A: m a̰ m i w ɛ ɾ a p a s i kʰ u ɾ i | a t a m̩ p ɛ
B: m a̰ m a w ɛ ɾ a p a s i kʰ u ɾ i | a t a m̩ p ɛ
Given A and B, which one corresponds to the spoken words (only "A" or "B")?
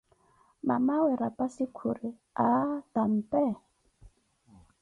B